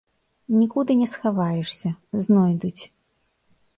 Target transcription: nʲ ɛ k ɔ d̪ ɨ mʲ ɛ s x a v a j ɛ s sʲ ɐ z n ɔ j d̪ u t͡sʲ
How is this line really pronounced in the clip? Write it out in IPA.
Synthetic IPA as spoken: nʲ i k u d̪ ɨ nʲ ɛ s x a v a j ɛ ʂ sʲ ɐ z n ɔ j d̪ u t͡sʲ